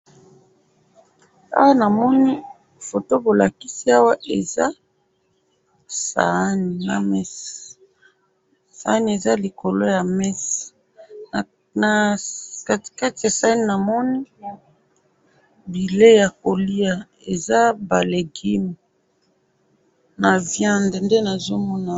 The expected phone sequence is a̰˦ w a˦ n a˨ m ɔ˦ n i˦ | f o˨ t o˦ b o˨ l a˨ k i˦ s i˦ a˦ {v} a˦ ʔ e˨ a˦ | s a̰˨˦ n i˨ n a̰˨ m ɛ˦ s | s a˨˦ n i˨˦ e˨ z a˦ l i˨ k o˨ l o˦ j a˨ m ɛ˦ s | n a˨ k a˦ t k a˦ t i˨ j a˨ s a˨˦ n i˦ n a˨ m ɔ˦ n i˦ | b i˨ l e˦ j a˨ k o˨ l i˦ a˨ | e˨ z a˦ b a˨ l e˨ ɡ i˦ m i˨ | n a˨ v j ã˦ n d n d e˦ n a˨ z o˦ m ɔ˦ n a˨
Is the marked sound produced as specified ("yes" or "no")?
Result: no